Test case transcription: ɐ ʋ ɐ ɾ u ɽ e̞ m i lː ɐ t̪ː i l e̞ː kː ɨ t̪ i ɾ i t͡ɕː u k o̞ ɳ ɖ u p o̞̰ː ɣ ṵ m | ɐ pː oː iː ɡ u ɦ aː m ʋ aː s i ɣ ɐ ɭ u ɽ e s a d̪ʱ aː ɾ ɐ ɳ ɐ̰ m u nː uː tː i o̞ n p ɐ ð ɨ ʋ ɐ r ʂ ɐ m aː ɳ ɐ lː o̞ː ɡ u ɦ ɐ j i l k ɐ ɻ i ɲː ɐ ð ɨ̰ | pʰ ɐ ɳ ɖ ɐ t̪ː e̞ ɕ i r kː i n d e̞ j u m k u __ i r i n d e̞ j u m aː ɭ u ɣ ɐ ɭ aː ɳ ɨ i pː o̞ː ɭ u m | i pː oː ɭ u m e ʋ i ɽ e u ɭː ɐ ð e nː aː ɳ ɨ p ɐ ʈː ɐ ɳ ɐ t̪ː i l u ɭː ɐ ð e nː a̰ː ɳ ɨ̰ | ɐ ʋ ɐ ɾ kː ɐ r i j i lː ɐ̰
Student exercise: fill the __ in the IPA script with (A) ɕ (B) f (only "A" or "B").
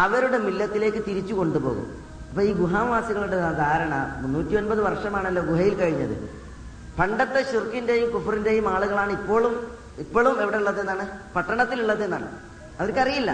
B